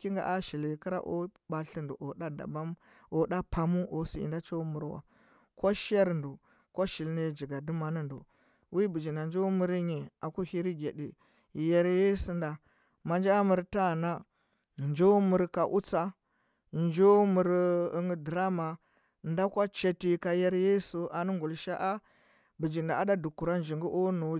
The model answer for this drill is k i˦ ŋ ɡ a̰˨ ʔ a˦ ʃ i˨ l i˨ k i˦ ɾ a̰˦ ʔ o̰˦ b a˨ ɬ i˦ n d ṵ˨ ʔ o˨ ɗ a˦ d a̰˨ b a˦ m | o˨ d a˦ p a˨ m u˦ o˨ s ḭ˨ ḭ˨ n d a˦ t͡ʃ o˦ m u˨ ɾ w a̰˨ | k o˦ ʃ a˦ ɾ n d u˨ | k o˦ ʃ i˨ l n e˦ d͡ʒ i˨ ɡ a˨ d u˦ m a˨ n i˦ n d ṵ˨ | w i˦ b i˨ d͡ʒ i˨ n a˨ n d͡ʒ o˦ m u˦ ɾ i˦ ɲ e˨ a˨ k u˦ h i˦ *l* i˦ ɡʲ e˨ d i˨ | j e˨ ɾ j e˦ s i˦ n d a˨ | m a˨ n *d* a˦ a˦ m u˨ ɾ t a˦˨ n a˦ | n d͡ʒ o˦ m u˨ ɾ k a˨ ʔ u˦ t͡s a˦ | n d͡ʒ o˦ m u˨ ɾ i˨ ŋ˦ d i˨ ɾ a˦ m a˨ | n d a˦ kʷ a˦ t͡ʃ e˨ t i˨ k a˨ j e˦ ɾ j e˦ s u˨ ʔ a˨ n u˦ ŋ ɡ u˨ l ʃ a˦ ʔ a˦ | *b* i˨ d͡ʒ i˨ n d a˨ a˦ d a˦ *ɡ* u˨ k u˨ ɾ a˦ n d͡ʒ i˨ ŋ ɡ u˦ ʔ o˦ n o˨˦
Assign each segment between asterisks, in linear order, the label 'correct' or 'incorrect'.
incorrect: ɾ, incorrect: d͡ʒ, correct, incorrect: d

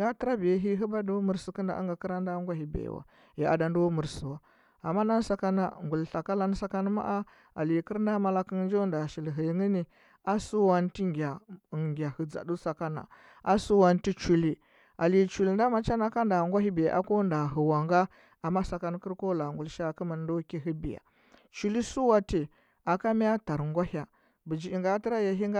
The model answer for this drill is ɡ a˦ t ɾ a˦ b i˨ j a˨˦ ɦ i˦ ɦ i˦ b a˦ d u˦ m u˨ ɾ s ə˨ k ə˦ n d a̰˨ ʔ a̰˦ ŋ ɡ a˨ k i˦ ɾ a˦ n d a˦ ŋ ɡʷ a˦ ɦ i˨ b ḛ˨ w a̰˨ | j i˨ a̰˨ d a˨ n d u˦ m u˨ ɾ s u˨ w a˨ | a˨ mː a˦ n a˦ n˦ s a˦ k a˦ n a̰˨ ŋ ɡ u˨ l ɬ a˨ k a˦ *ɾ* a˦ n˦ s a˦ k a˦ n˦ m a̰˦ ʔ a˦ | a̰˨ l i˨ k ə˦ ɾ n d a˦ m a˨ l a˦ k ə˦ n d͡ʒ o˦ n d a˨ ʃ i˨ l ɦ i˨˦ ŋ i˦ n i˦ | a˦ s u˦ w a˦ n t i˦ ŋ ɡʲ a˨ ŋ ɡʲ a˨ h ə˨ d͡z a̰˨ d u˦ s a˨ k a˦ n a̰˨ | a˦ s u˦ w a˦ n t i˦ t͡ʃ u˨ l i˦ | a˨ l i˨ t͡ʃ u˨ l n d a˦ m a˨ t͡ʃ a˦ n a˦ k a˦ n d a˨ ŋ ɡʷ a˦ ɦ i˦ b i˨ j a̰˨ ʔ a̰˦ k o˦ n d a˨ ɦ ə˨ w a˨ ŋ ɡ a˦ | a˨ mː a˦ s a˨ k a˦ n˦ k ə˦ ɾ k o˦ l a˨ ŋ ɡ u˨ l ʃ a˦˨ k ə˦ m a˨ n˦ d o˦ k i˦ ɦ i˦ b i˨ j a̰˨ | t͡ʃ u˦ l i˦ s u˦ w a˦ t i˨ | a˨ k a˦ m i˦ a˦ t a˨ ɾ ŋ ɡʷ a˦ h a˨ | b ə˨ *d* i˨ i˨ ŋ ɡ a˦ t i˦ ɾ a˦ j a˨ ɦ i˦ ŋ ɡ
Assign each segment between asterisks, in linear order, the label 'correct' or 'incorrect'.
incorrect: l, incorrect: d͡ʒ

